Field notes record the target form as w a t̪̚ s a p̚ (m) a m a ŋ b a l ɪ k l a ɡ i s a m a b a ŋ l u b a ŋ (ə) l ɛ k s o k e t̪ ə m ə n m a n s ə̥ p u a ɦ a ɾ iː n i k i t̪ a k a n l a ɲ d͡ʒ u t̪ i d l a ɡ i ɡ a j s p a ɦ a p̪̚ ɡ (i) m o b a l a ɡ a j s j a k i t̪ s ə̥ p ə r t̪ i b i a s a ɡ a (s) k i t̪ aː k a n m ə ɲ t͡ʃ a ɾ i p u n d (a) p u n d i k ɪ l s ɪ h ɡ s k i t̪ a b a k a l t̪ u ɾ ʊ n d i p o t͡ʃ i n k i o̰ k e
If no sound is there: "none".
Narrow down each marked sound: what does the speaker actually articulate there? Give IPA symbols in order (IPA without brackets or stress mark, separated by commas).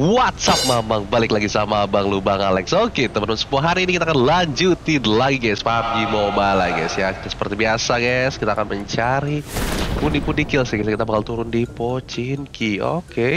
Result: m, a, i, s, i